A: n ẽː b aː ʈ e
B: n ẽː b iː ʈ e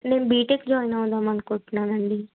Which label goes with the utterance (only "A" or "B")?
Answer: B